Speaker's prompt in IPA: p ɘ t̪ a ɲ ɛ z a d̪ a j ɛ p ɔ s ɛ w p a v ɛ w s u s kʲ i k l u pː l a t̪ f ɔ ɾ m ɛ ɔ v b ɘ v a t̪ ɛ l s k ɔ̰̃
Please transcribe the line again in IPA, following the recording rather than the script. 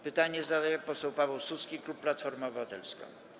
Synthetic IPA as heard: p ɘ t̪ a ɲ ɛ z a d̪ a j ɛ p ɔ s ɛ w p a v ɛ w s u s kʲ i k l u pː l a t̪ f ɔ ɾ m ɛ ɔ b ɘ v a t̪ ɛ l s k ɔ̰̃